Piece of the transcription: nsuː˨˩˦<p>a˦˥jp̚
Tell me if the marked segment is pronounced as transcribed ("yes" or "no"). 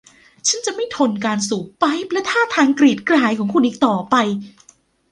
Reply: yes